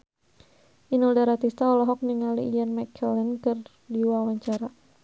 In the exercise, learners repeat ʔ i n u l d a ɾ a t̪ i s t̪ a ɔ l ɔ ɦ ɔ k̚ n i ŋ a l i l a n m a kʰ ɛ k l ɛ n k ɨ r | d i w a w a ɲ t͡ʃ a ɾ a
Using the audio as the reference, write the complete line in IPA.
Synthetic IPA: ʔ i n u l d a ɾ a t̪ i s t̪ a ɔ l ɔ ɦ ɔ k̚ n i ŋ a l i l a n m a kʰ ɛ l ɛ n k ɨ r | d i w a w a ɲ t͡ʃ a ɾ a

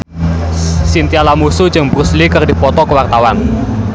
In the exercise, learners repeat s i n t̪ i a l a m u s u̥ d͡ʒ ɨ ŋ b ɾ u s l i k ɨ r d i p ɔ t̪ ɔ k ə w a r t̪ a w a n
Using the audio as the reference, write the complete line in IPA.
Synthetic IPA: s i n t̪ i a l a m u s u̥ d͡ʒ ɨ ŋ b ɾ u s l i k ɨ r d i p ɔ t̪ ɔ k ə w a r t̪ a w a n

